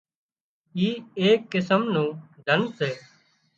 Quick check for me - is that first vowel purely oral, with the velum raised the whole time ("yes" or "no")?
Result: yes